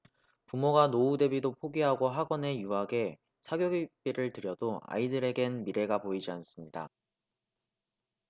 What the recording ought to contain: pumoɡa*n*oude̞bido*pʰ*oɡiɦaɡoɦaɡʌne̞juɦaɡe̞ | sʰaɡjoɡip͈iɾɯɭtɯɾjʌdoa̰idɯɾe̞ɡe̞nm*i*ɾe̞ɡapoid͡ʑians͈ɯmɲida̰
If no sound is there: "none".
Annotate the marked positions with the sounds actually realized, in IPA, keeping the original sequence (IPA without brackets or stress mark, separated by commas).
n, pʰ, i